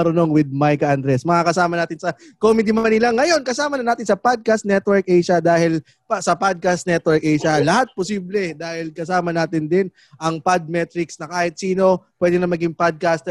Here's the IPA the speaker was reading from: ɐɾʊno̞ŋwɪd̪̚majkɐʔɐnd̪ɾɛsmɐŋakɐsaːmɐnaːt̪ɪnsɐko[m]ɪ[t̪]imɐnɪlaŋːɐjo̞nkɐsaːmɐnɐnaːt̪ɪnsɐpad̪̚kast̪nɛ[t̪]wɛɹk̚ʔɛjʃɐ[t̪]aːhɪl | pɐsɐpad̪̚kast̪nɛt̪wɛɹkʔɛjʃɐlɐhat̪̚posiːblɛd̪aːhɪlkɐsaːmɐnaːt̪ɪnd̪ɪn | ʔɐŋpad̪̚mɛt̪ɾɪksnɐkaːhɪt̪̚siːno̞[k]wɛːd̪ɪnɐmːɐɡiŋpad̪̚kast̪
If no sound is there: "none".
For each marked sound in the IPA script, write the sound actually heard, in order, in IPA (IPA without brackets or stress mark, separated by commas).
m, d̪, t̪, d̪, p